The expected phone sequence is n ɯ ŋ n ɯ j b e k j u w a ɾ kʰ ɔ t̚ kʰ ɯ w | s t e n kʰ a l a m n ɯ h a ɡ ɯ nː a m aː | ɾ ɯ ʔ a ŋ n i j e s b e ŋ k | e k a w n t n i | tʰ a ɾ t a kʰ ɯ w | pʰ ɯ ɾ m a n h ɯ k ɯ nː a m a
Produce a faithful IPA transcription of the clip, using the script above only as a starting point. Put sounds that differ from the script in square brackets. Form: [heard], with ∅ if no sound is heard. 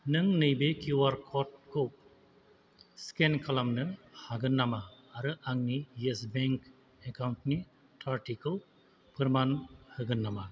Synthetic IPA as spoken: n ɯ ŋ n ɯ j b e k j u w a ɾ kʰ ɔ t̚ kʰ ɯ w | s [k] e n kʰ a l a m n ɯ h a ɡ ɯ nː a m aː | ɾ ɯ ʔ a ŋ n i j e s b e ŋ k | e k a w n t n i | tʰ a ɾ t [i] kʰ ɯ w | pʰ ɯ ɾ m a n h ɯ [ɡ] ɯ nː a m a

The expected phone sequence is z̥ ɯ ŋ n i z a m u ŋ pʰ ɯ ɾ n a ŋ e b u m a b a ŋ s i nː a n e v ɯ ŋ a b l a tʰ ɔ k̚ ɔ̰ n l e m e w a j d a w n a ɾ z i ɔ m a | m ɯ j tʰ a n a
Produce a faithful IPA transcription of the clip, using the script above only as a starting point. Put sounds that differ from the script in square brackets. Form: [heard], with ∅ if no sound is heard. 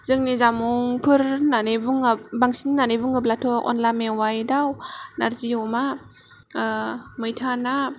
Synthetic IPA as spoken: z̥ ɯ ŋ n i z a m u ŋ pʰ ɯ ɾ n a [n] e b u [ŋ] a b a ŋ s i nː a n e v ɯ ŋ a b l a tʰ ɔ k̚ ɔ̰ n l [a] m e w a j d a w n a ɾ z i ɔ m a | m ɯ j tʰ a n a

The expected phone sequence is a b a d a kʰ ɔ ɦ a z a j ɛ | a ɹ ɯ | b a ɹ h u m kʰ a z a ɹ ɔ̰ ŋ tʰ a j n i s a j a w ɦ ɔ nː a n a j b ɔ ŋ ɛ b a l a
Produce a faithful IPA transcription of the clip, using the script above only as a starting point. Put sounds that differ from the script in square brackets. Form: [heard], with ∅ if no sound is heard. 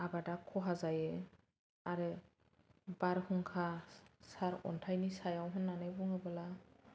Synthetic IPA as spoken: a b a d a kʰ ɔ ɦ a z a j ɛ | a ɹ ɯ | b a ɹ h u [ŋ] kʰ a [s] a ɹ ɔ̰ [n] tʰ a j n i s a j a w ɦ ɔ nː a n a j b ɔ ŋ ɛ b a l a

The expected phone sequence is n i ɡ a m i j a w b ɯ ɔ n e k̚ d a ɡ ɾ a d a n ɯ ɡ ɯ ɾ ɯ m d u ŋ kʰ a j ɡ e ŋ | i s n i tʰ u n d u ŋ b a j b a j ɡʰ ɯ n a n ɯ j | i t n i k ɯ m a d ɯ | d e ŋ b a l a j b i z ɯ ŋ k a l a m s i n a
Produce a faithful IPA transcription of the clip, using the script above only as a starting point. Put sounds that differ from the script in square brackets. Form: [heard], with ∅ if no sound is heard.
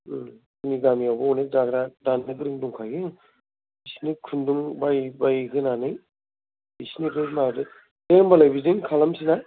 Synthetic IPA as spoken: n i ɡ a m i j a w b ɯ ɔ n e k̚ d a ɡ ɾ a d a n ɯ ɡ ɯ ɾ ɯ [ŋ] d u ŋ kʰ a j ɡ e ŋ | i s n i [kʰ] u n d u ŋ b a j b a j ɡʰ ɯ n a n ɯ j | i [s] n i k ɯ m a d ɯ | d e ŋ b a l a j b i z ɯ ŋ [kʰ] a l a m s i n a

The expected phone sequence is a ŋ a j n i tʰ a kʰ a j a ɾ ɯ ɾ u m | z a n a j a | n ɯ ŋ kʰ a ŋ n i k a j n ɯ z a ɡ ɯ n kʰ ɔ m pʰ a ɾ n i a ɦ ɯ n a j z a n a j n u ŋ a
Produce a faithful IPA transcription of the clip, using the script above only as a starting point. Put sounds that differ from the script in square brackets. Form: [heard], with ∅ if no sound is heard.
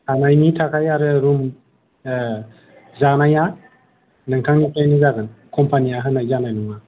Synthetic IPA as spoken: a [n] a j n i tʰ a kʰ a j a ɾ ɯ ɾ u m | z a n a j a | n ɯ ŋ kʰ a ŋ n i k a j n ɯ z a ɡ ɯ n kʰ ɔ m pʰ a [∅] n i a ɦ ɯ n a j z a n a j n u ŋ a

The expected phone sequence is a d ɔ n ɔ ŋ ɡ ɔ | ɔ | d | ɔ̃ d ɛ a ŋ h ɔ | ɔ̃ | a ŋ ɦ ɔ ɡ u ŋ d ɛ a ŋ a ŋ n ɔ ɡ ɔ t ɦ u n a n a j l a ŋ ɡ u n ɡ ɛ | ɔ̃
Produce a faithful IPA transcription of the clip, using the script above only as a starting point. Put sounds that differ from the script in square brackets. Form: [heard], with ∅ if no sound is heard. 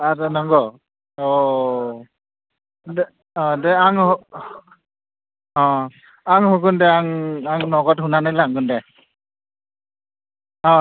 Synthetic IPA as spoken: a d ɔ n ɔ ŋ ɡ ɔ | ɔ | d | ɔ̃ d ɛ a ŋ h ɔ | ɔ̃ | a ŋ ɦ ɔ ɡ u [n] d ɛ a ŋ a ŋ n ɔ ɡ ɔ t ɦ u n a n a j l a ŋ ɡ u n [d] ɛ | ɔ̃

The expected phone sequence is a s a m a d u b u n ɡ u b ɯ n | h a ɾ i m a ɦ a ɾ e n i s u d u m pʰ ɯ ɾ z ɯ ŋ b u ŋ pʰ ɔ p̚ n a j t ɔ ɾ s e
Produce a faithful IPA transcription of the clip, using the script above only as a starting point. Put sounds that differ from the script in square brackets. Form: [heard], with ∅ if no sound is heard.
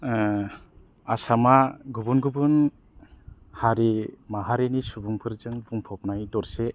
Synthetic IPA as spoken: a s a m a [ɡ] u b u n ɡ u b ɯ n | h a ɾ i m a ɦ a ɾ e n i s u [b] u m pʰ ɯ ɾ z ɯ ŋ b u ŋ pʰ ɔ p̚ n a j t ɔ ɾ s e

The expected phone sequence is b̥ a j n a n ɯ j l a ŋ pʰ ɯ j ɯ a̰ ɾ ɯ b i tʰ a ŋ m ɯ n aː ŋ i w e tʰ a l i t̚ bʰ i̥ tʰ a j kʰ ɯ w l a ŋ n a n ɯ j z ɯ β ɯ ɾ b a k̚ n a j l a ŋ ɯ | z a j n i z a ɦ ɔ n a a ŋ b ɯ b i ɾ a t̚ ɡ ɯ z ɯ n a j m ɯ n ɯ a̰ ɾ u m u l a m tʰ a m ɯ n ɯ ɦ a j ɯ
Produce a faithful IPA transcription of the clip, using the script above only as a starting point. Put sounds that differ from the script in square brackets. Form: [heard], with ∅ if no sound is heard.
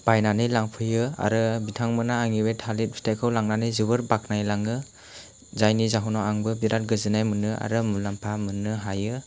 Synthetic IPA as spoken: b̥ a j n a n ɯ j l a ŋ pʰ ɯ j ɯ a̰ ɾ ɯ b i tʰ a ŋ m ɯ n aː ŋ i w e tʰ a l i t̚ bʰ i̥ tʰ a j kʰ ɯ w l a ŋ n a n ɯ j z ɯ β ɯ ɾ b a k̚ n a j l a ŋ ɯ | z a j n i z a ɦ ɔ n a a ŋ b ɯ b i ɾ a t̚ ɡ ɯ z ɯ n a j m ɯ n ɯ a̰ ɾ [ɯ] m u l a m [pʰ] a m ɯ n ɯ ɦ a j ɯ

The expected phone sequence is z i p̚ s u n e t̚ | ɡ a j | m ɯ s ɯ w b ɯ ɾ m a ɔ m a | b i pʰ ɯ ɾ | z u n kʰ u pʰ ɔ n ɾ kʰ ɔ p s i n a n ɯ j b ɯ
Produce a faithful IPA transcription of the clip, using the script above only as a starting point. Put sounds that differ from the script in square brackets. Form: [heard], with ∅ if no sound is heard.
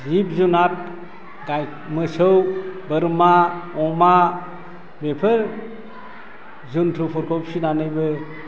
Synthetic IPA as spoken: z i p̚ [z] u n [a] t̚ | ɡ a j | m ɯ s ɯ w b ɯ ɾ m a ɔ m a | b [e] pʰ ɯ ɾ | z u n [tʰ] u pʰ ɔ [∅] ɾ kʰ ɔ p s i n a n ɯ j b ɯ

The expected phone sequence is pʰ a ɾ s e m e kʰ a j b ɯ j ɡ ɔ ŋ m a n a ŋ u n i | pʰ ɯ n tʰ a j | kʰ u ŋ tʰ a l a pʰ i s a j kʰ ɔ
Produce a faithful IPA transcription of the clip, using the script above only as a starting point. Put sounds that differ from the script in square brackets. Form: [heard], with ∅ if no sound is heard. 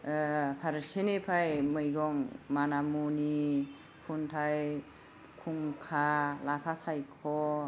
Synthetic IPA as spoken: pʰ a ɾ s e [n] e [pʰ] a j [m] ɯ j ɡ ɔ ŋ m a n a [m] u n i | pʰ [u] n tʰ a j | kʰ u ŋ [kʰ] a l a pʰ [a] s a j kʰ ɔ

